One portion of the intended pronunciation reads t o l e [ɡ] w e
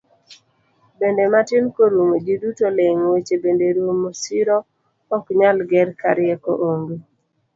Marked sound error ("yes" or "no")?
yes